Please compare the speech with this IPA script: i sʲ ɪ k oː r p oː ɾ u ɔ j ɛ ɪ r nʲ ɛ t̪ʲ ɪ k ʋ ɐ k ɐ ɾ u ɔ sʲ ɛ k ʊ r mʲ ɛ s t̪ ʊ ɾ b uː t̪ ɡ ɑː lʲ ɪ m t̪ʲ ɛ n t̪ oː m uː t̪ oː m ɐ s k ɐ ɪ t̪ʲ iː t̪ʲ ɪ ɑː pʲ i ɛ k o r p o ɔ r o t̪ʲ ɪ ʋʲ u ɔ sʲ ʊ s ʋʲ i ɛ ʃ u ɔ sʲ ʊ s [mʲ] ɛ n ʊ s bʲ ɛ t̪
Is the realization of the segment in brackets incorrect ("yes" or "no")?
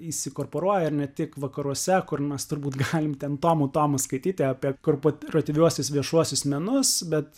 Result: no